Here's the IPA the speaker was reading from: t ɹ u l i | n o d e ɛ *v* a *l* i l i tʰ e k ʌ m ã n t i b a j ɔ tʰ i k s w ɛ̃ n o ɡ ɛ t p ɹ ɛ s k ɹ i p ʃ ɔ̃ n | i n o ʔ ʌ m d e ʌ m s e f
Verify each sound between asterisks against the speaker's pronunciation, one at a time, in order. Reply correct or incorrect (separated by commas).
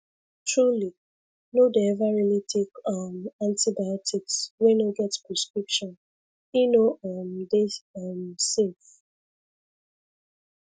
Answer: correct, incorrect